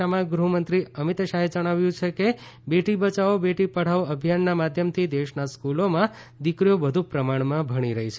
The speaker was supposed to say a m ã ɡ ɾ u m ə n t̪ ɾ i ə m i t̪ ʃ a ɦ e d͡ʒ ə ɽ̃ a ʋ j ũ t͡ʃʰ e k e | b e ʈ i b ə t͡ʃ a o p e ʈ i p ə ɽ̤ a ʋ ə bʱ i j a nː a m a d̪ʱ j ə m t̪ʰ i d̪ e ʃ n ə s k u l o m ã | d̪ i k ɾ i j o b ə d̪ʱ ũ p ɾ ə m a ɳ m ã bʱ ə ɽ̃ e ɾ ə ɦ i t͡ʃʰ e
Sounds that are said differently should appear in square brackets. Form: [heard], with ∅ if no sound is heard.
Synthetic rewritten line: a m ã ɡ ɾ u m ə n t̪ ɾ i ə m i t̪ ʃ a ɦ e d͡ʒ ə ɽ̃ a ʋ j ũ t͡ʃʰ e k e | b e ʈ i b ə t͡ʃ a o [b] e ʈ i p ə ɽ̤ a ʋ ə bʱ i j a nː a m a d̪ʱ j ə m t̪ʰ i d̪ e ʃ n [a] s k u l o m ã | d̪ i k ɾ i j o b ə d̪ʱ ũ p ɾ ə m a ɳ m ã bʱ ə ɽ̃ [i] ɾ ə ɦ i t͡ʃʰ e